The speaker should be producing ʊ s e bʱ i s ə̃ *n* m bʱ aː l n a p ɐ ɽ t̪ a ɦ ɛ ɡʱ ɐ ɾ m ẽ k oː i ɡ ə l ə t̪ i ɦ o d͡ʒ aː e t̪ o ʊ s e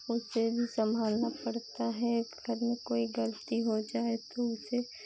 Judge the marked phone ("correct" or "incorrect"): incorrect